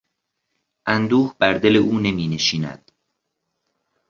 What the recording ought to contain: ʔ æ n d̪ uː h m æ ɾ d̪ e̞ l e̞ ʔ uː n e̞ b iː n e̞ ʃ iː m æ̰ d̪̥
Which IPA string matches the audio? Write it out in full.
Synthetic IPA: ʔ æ n d̪ uː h b æ ɾ d̪ e̞ l e̞ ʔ uː n e̞ m iː n e̞ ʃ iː n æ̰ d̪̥